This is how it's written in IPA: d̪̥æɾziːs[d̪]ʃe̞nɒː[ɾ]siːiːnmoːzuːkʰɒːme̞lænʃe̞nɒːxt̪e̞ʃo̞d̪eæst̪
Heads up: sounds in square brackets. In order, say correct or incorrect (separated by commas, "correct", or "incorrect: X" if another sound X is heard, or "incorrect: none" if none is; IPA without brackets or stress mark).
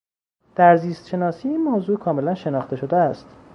incorrect: t̪, incorrect: none